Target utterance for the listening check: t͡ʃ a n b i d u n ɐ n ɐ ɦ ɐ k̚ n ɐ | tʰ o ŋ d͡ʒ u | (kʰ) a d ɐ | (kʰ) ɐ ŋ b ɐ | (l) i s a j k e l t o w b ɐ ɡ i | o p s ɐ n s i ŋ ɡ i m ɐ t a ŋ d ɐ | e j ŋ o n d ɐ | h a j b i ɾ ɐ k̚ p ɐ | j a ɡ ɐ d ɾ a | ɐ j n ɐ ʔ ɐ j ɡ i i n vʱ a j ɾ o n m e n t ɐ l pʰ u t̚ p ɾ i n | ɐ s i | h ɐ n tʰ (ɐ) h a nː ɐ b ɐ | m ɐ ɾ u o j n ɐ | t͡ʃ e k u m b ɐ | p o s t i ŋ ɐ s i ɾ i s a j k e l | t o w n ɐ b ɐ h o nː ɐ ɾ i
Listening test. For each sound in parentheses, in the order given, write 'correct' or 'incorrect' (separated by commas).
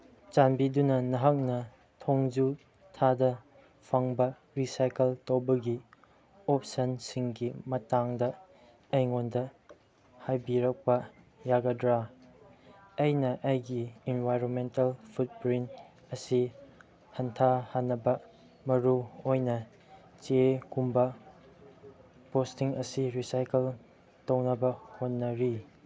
incorrect, incorrect, incorrect, incorrect